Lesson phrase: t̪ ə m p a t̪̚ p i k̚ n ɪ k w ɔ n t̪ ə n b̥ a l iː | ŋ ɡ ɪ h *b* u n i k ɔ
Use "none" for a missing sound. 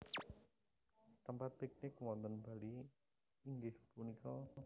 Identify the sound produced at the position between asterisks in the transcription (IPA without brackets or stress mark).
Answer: p